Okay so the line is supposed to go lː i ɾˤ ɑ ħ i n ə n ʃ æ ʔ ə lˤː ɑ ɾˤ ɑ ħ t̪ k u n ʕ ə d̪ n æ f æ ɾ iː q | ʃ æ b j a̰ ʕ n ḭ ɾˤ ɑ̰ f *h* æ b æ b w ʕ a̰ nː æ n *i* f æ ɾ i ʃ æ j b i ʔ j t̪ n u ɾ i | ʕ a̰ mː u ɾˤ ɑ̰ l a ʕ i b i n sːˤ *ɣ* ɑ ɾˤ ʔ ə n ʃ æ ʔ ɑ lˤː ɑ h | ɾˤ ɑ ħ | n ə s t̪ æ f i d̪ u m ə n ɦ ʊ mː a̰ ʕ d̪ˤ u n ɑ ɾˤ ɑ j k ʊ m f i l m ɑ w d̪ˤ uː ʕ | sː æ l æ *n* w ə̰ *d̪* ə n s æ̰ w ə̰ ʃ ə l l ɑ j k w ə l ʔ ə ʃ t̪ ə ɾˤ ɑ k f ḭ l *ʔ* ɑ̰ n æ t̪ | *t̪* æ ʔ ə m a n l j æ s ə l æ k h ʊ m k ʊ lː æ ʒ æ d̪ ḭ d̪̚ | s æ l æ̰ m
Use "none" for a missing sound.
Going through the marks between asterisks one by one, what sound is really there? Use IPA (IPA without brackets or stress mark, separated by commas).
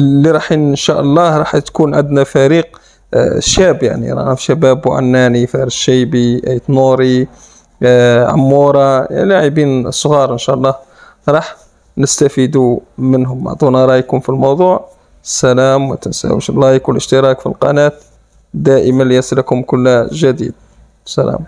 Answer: ʃ, i, ɣ, m, t̪, q, d̪